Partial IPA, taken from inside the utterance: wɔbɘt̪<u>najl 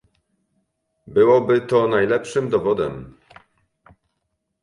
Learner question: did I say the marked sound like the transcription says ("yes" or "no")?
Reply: no